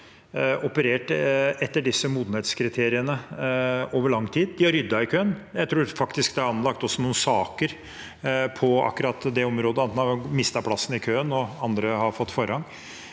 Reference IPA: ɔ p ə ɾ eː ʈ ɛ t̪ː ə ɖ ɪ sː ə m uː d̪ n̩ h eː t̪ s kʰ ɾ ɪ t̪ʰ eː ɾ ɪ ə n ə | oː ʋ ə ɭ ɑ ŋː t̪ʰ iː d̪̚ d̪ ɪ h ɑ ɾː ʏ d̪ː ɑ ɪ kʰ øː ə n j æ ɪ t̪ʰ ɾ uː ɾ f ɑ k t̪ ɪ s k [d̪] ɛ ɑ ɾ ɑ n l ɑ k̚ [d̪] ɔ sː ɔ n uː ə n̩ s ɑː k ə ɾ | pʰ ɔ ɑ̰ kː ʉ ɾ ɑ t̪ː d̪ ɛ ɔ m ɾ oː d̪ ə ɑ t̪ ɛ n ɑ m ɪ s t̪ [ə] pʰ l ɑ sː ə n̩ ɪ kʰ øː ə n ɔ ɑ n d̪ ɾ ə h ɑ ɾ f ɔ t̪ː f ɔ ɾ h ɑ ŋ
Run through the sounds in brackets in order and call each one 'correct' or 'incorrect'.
correct, incorrect, incorrect

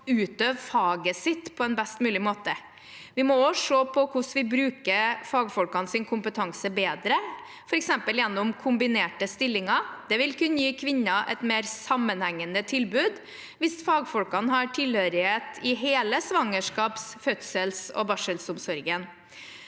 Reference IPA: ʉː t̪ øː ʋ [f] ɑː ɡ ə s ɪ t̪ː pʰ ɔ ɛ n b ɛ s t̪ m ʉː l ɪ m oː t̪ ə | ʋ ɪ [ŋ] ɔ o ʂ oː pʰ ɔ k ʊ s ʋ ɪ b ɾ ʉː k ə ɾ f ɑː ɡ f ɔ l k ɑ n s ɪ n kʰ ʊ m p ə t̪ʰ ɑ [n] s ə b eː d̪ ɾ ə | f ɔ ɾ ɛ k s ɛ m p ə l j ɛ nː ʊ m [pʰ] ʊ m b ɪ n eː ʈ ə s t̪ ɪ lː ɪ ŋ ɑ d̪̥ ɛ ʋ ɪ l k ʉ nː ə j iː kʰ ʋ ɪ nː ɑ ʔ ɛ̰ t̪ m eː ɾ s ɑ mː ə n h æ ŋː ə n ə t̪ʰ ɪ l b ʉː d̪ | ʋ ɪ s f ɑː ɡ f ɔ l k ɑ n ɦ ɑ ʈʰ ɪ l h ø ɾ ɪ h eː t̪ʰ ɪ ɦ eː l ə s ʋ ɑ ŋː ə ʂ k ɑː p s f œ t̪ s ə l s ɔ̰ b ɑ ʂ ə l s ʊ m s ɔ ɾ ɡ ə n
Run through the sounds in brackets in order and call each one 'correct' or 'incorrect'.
correct, incorrect, incorrect, incorrect

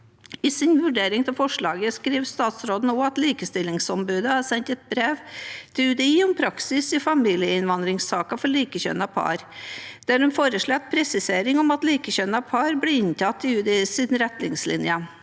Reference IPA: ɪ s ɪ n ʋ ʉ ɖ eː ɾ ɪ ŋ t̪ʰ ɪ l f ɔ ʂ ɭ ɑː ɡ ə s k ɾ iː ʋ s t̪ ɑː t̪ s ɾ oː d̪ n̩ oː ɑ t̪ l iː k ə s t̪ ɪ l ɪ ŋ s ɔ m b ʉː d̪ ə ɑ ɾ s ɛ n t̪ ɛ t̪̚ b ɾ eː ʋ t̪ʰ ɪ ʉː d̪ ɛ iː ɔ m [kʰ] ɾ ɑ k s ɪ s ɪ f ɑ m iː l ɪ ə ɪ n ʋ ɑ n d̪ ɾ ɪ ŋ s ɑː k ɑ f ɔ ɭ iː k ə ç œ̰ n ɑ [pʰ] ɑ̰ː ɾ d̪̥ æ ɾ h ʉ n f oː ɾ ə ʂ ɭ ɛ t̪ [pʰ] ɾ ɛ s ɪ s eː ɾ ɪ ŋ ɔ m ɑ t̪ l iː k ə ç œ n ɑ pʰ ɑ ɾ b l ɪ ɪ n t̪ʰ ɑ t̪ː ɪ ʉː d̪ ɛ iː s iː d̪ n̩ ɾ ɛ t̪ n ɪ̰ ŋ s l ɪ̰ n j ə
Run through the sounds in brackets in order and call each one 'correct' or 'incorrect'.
incorrect, correct, correct

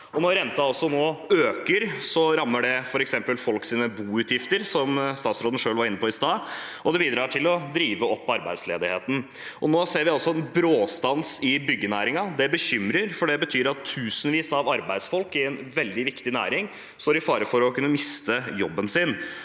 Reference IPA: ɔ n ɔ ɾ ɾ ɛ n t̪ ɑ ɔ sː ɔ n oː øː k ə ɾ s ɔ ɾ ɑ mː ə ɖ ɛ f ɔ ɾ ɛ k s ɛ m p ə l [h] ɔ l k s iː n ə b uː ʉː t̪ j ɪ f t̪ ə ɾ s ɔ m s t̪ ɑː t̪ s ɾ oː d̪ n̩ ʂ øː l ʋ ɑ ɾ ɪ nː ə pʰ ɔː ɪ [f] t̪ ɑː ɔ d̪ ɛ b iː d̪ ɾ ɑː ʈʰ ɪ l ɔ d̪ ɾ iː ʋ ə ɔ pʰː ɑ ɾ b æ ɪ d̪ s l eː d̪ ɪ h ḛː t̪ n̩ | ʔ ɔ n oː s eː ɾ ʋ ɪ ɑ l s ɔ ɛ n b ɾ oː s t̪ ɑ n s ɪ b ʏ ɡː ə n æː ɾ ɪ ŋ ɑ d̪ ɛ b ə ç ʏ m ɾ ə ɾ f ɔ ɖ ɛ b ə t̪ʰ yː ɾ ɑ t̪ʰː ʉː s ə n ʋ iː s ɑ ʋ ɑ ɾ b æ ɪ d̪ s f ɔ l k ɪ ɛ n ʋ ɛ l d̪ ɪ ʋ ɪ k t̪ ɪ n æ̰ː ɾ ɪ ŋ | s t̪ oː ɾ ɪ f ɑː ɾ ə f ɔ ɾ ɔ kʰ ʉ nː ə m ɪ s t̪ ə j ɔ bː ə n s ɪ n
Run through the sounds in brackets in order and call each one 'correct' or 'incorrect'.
incorrect, incorrect

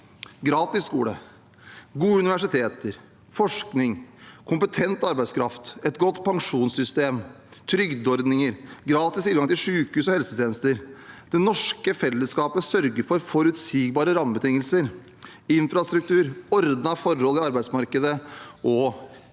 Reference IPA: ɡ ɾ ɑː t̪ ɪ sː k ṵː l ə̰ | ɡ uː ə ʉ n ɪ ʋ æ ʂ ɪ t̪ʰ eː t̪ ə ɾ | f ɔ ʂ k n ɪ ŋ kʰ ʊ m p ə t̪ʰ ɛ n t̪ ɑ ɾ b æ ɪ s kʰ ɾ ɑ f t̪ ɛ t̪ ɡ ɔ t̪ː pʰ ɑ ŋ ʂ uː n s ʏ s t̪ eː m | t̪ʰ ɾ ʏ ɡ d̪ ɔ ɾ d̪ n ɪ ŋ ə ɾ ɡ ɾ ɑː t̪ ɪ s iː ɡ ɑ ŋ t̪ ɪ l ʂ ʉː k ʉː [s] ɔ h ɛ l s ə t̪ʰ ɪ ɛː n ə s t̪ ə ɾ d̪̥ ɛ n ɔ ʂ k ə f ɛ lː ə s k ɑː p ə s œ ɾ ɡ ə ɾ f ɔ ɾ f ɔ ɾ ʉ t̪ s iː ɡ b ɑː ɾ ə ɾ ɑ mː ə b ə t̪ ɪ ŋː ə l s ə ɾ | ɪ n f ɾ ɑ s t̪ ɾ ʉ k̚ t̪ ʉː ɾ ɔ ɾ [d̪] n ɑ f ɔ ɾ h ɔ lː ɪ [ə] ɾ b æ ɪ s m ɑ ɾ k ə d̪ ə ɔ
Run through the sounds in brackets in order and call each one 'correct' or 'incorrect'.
correct, correct, incorrect

